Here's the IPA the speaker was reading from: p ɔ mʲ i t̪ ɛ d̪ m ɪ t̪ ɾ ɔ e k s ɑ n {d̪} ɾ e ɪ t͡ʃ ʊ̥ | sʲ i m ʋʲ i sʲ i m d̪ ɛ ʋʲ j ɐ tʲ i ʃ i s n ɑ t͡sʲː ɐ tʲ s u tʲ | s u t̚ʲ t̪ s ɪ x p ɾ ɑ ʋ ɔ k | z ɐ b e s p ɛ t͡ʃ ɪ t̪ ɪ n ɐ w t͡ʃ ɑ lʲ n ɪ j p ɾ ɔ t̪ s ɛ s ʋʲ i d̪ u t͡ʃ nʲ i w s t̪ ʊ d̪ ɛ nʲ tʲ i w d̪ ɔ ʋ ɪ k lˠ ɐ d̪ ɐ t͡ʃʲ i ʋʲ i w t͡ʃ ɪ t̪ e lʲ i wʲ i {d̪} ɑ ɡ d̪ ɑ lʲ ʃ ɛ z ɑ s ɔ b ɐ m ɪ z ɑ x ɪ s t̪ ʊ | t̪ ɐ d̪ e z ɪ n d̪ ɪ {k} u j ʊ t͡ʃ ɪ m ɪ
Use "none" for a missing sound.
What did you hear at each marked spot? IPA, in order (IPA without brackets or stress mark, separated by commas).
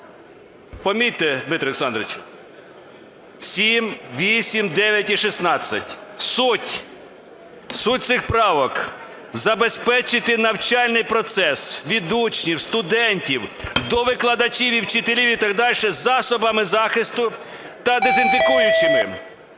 d̪, t̪, k